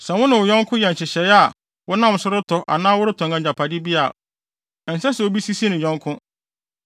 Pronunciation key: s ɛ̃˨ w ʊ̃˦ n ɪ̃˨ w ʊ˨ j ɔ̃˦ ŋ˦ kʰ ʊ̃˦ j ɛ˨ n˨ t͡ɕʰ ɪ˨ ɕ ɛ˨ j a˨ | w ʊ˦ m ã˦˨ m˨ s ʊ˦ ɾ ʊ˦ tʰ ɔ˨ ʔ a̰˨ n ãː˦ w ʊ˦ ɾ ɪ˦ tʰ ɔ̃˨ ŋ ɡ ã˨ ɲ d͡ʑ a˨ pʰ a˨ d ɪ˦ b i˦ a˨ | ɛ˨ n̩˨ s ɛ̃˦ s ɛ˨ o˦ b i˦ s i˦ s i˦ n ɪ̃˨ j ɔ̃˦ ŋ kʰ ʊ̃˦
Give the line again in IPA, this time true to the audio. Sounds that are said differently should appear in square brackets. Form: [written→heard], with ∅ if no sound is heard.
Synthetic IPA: s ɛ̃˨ w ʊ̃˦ n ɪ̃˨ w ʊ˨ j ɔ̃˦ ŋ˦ kʰ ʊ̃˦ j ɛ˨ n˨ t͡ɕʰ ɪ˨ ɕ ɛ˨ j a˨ | w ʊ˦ [m→n] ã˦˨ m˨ s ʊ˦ ɾ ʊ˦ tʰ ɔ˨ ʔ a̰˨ n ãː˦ w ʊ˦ ɾ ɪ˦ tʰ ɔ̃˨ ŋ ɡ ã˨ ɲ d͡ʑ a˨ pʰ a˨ d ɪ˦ b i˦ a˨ | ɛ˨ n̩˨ s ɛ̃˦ s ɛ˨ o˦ b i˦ s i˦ s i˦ n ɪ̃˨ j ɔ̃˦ ŋ kʰ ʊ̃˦